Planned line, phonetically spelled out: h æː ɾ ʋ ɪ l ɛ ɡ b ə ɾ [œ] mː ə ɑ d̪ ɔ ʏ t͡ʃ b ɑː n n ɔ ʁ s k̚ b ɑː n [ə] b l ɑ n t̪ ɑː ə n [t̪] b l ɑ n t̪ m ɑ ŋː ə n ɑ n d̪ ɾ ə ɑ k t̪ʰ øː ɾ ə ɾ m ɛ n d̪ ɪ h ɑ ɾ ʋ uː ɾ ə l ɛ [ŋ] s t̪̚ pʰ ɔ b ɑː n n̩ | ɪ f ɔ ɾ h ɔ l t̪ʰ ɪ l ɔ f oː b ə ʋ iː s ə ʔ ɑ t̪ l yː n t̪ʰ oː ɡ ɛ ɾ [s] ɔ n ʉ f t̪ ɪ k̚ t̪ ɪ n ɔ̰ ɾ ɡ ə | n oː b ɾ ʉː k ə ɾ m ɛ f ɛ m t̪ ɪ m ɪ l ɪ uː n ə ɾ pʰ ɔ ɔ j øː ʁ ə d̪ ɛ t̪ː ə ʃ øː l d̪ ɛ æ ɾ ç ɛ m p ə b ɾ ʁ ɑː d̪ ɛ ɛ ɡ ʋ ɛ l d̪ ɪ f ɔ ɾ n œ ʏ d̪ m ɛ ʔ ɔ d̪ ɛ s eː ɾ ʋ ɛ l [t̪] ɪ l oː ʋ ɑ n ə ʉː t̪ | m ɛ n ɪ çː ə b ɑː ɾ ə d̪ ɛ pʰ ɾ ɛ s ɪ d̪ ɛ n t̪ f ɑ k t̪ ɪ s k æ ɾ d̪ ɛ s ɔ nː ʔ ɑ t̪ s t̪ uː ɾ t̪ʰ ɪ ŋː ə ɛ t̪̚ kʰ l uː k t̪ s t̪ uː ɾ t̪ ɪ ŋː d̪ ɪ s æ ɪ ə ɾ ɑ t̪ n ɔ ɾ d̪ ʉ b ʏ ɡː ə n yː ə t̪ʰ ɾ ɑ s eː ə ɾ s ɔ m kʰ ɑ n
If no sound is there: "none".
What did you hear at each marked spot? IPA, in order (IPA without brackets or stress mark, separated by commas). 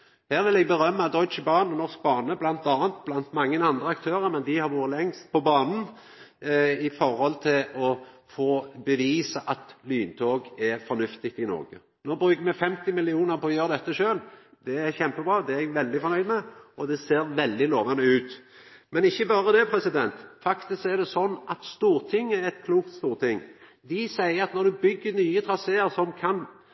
œ, ə, t̪, ŋ, f, d̪